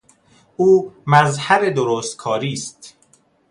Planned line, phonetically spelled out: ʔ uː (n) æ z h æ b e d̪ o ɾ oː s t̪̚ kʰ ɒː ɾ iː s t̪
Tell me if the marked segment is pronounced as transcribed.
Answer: no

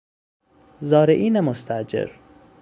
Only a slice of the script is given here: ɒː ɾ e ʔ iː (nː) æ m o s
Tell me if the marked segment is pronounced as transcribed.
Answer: no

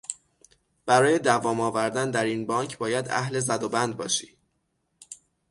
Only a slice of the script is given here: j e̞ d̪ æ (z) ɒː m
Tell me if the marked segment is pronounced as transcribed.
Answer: no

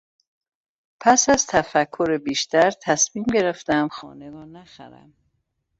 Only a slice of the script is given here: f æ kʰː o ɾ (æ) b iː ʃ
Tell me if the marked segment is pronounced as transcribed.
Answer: no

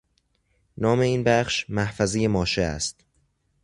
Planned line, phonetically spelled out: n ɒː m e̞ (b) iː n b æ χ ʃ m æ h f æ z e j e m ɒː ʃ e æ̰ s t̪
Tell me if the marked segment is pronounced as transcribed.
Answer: no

